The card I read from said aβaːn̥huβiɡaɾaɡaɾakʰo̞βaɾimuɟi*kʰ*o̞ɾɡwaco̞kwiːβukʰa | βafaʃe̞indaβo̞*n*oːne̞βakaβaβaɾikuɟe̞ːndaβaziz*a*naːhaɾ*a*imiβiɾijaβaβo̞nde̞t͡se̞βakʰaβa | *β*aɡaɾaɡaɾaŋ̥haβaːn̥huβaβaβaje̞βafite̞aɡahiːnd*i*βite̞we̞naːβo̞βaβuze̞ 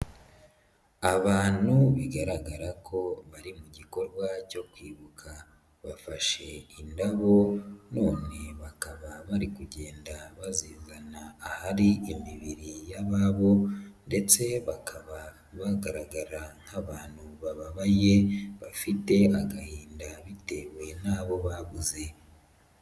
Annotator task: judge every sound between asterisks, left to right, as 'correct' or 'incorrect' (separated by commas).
incorrect, correct, correct, incorrect, correct, incorrect